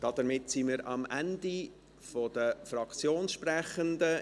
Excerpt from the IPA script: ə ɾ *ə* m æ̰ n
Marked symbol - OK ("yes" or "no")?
no